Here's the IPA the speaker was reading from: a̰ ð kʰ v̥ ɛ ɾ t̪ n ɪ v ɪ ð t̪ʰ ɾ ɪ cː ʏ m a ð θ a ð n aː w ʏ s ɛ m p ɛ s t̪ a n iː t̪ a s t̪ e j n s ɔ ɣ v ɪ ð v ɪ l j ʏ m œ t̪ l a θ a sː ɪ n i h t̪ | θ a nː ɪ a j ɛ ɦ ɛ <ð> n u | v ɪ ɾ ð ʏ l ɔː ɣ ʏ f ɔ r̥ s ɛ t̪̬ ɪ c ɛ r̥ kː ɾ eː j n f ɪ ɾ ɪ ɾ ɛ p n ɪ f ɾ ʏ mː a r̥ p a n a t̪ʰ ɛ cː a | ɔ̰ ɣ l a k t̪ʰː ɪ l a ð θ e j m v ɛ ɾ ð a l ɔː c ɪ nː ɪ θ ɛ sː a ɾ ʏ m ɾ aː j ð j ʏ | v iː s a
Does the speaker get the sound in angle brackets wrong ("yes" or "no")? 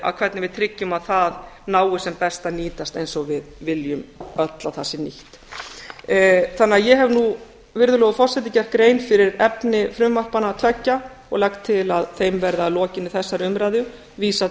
yes